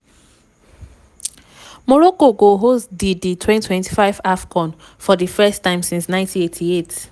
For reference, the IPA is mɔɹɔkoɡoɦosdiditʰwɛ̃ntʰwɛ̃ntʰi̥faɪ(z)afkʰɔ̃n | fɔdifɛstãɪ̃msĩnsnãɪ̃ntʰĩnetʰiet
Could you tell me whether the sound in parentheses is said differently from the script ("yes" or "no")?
yes